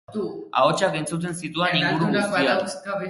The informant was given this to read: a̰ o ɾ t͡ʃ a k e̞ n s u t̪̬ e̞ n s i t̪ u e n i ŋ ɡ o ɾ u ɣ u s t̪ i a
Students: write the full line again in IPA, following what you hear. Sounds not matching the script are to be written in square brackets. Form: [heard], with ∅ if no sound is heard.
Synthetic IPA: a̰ o [∅] t͡ʃ a k e̞ n [t͡s] u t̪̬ e̞ n s i t̪ u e n i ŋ ɡ [u] ɾ u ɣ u s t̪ i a